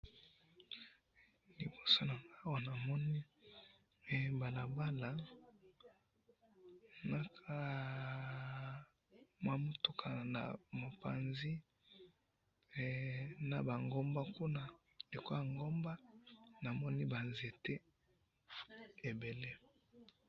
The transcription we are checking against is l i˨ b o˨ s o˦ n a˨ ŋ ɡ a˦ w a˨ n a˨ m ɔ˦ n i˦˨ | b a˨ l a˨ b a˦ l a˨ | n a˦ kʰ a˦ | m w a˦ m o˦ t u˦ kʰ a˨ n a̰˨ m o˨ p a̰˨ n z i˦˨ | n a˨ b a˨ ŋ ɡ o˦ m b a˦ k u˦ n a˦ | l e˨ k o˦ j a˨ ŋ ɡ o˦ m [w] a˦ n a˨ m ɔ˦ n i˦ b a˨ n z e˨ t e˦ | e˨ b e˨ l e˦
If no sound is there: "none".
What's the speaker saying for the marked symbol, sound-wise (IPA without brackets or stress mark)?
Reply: b